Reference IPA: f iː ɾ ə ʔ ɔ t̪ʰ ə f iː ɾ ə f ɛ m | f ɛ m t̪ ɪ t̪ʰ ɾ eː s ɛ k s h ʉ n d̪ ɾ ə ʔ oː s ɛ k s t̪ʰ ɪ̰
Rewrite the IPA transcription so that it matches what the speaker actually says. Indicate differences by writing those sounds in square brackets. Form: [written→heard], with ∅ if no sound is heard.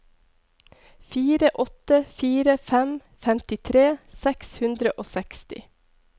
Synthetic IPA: f iː ɾ ə ʔ ɔ [t̪ʰ→t̪] ə f iː ɾ ə f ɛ m | f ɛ m t̪ ɪ t̪ʰ ɾ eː s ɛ k s h ʉ n d̪ ɾ ə ʔ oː s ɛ k s [t̪ʰ→t̪] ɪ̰